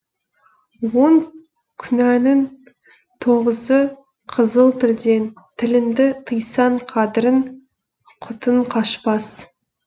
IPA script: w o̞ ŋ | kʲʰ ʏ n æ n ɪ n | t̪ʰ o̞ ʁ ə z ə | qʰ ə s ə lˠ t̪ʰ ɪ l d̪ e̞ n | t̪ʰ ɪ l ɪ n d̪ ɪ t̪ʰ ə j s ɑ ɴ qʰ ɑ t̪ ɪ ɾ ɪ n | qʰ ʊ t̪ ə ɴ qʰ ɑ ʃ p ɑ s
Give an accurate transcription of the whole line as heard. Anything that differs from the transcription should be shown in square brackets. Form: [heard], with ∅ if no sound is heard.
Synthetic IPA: w o̞ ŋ | kʲʰ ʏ n æ n ɪ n | t̪ʰ o̞ ʁ ə z ə | qʰ ə [z] ə lˠ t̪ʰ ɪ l d̪ e̞ n | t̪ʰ ɪ l ɪ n d̪ ɪ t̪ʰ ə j s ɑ ɴ qʰ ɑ [d̪] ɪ ɾ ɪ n | qʰ ʊ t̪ ə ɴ qʰ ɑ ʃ p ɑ s